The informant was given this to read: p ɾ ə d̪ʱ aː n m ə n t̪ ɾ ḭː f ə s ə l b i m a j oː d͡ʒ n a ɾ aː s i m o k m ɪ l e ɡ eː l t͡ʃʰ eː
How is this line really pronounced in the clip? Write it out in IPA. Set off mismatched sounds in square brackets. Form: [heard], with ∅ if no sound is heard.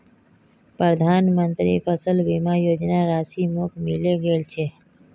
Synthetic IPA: p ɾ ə d̪ʱ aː n m ə n t̪ ɾ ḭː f ə s ə l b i m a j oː d͡ʒ n a ɾ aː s i m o k m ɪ l e ɡ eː l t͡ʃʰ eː